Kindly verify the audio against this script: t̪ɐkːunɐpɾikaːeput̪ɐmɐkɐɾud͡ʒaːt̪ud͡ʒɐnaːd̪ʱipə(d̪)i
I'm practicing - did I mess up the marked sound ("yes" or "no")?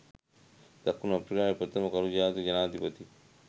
yes